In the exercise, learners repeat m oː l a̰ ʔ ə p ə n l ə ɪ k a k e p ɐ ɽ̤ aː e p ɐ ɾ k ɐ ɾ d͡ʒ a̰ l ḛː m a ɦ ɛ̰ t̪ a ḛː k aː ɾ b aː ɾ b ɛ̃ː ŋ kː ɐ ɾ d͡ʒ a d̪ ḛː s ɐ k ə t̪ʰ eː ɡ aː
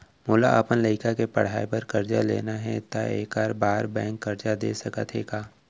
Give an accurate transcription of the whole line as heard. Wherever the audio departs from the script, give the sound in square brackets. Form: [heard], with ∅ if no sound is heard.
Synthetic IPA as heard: m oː l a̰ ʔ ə p ə n l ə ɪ k a k e p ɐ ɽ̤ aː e p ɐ ɾ k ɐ ɾ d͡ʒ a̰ l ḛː [n] a ɦ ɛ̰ t̪ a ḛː k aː ɾ b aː ɾ b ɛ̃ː ŋ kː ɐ ɾ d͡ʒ a d̪ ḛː s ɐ k ə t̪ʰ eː ɡ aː